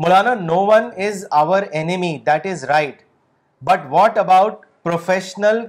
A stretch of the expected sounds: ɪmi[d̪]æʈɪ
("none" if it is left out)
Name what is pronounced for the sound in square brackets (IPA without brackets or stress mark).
d̪